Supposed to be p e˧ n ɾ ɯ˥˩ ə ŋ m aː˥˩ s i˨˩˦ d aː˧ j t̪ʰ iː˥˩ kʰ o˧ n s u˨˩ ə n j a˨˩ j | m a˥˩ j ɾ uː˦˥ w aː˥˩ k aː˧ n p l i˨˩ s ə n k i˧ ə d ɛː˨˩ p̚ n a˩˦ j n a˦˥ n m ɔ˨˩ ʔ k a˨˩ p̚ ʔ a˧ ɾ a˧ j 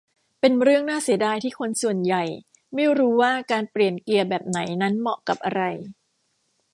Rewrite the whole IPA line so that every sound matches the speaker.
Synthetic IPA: p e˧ n ɾ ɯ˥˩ ə ŋ n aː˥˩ s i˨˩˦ d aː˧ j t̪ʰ iː˥˩ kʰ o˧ n s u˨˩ ə n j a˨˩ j | m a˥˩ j ɾ uː˦˥ w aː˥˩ k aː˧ n p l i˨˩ ə n k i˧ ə b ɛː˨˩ p̚ n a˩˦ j n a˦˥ n m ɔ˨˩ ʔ k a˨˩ p̚ ʔ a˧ ɾ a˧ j